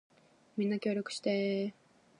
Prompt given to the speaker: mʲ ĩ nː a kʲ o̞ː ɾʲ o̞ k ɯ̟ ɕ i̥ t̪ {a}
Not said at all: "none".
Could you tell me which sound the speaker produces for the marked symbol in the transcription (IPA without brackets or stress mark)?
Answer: e